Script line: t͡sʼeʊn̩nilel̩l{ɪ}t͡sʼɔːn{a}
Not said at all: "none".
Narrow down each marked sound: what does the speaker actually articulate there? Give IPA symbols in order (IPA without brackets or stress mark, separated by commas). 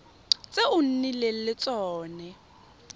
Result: ɪ, ɛ